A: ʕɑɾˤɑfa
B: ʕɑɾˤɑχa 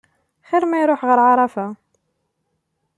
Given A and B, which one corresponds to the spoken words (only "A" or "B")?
A